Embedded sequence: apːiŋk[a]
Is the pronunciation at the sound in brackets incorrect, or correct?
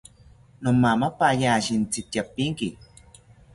incorrect